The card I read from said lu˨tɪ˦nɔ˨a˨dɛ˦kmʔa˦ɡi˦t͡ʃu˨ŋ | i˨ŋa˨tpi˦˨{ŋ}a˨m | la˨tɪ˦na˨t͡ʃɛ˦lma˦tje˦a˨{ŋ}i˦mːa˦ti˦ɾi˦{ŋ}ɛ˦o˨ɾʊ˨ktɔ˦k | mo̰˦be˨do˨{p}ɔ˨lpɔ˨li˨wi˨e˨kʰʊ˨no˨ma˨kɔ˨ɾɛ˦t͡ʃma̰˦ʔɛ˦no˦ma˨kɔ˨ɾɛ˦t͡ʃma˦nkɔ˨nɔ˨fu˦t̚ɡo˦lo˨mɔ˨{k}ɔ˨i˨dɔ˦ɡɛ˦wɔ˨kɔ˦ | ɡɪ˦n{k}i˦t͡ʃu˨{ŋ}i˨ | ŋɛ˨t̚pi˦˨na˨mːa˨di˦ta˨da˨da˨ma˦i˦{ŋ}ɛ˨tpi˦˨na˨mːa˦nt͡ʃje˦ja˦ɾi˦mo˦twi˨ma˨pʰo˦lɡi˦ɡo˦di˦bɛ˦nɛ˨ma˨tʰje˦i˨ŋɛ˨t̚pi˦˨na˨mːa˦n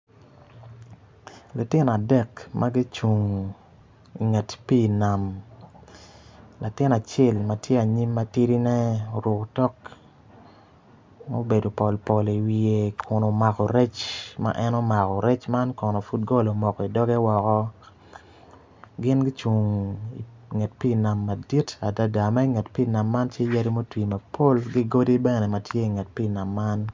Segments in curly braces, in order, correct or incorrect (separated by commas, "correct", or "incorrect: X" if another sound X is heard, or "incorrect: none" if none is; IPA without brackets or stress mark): incorrect: n, incorrect: ɲ, incorrect: n, correct, correct, incorrect: ɡ, correct, correct